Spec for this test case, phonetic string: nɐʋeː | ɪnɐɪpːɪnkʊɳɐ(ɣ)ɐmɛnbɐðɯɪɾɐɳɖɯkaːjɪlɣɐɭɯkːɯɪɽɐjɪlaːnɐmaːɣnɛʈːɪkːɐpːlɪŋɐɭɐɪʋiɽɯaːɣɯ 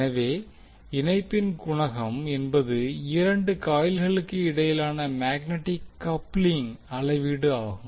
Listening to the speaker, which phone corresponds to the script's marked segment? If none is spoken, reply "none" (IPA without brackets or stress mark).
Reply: ɣ